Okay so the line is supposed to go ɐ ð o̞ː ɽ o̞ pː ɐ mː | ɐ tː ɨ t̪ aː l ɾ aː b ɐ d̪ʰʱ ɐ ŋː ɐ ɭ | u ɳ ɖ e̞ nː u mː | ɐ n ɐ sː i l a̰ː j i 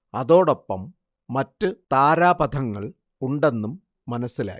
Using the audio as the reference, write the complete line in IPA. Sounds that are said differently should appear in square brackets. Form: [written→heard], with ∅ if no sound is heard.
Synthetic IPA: ɐ ð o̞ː ɽ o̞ pː ɐ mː | ɐ tː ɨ t̪ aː [l→∅] ɾ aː b ɐ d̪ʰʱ ɐ ŋː ɐ ɭ | u ɳ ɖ e̞ nː u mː | ɐ n ɐ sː i l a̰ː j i